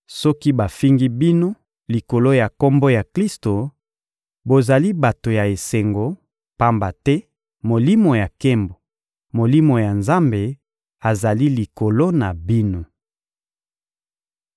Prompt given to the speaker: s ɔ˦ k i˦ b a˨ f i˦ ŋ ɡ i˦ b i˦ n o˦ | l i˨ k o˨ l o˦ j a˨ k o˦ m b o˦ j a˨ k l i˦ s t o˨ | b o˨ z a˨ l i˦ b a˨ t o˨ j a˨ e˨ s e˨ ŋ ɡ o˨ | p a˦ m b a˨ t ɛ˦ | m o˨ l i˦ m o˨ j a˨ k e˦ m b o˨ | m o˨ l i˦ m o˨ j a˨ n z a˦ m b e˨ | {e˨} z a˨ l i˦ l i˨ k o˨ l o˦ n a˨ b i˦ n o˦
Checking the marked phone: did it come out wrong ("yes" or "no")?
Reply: yes